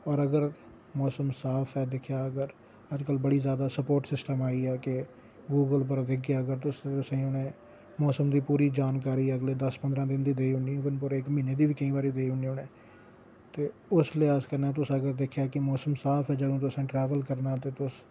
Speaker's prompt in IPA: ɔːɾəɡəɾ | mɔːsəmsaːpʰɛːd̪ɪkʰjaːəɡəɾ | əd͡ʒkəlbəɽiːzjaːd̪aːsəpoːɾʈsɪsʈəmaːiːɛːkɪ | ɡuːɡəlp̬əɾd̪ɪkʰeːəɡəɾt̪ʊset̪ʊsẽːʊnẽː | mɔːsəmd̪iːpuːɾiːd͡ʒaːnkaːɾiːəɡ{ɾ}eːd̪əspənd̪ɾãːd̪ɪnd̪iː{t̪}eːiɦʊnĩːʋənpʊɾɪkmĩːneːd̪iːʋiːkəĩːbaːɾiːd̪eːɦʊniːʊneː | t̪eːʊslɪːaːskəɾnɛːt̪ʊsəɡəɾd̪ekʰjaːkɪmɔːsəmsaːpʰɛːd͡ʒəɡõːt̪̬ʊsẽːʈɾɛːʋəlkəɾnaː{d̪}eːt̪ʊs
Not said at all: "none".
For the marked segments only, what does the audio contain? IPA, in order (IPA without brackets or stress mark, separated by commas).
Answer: l, d̪, t̪